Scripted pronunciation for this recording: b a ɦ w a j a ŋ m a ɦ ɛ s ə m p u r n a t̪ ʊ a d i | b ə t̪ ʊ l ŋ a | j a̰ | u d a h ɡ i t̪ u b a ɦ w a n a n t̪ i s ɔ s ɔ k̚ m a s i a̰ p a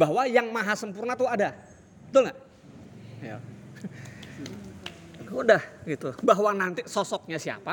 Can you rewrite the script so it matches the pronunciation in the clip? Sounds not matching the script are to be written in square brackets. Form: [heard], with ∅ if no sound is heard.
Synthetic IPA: b a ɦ w a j a ŋ m a ɦ [a] s ə m p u r n a t̪ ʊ a d [a] | b ə t̪ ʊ l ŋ a | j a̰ | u d a h ɡ i t̪ u b a ɦ w a n a n t̪ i s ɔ s ɔ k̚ [ɲ] a s i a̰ p a